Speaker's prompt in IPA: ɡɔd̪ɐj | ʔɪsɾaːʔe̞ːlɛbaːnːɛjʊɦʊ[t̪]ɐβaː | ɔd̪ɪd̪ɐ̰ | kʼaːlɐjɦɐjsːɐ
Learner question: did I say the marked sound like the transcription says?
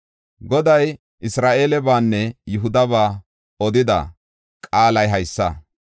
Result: no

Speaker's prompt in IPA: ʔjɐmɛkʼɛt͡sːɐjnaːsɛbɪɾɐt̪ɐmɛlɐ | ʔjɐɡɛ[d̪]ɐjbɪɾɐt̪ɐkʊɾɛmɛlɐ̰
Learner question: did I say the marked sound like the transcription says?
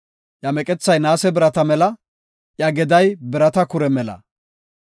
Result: yes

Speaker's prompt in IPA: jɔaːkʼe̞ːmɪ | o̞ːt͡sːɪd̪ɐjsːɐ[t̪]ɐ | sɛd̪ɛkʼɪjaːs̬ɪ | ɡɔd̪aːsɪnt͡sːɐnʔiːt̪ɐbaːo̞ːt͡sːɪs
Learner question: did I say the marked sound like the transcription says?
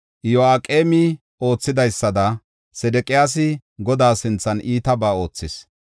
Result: no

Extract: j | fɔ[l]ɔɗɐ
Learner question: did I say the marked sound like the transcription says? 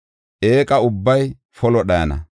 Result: yes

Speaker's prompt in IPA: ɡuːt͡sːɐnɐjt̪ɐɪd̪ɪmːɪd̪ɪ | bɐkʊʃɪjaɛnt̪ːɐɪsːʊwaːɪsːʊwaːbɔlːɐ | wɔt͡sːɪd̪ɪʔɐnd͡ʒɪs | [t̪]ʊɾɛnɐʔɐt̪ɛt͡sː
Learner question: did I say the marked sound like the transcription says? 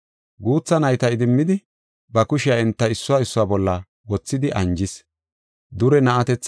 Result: no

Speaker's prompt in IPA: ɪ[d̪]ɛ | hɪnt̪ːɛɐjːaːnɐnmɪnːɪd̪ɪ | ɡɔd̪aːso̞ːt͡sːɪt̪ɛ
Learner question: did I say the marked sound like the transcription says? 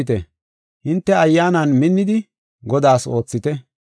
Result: no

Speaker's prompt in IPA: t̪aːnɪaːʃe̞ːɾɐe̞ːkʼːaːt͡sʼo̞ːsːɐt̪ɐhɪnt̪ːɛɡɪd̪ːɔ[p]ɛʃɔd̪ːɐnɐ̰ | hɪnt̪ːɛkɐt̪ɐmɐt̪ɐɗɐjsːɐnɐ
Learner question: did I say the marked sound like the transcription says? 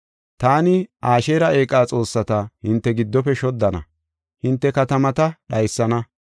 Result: yes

